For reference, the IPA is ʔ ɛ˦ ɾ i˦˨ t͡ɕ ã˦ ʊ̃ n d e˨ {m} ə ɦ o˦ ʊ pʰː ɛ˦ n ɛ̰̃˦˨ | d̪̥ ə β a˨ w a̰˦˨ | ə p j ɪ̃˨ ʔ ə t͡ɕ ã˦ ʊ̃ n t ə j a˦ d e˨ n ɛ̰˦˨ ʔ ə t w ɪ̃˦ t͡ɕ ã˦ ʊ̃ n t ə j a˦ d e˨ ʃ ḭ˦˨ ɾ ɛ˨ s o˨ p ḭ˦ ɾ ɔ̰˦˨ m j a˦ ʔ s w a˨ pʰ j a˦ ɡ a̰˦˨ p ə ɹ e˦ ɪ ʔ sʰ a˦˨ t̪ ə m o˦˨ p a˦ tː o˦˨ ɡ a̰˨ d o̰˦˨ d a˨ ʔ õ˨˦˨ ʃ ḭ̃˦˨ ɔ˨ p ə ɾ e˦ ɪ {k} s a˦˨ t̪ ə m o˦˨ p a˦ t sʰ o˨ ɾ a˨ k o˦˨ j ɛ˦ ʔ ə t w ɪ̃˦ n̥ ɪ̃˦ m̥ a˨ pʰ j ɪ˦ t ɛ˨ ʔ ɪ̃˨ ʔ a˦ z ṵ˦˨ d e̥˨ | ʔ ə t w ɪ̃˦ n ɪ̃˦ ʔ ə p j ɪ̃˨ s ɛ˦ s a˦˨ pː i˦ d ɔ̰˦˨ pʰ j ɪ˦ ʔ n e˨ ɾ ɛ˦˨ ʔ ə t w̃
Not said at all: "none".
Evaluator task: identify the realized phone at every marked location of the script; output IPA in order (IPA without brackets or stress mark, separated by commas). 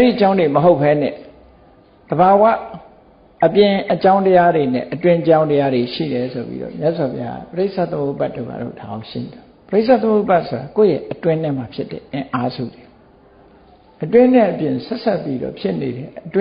m, ʔ